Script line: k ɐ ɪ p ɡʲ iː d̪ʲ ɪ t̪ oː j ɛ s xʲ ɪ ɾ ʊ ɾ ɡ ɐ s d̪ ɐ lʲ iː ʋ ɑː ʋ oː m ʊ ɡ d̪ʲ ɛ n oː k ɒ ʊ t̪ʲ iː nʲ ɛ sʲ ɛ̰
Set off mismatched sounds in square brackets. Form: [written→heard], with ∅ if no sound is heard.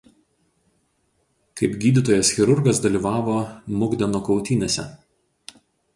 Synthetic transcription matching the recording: k ɐ ɪ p ɡʲ iː d̪ʲ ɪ t̪ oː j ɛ s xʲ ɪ ɾ ʊ ɾ ɡ ɐ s d̪ ɐ lʲ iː ʋ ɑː ʋ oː m ʊ ɡ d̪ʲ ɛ n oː k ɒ ʊ t̪ʲ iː nʲ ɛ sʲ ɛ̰